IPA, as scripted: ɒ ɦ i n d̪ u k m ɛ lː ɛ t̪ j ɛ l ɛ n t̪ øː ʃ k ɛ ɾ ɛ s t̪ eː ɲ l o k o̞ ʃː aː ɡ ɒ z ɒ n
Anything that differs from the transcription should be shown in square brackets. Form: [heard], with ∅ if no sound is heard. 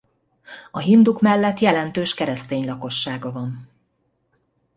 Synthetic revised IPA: ɒ ɦ i n d̪ u k m ɛ lː ɛ t̪ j ɛ l ɛ n t̪ øː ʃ k ɛ ɾ ɛ s t̪ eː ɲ l [ɒ] k o̞ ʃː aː ɡ ɒ [v] ɒ n